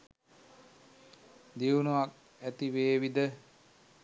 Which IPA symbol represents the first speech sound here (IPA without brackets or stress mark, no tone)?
d̪